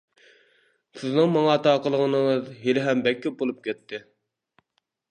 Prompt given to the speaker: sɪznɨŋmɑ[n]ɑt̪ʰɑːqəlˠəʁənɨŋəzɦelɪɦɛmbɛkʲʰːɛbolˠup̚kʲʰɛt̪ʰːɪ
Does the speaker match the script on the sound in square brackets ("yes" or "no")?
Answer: no